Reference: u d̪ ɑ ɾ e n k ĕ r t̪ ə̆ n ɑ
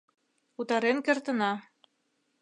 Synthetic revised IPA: u t̪ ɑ ɾ e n k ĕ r t̪ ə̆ n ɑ